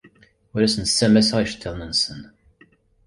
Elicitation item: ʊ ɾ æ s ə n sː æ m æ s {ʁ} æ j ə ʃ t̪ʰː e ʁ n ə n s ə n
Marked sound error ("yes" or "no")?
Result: no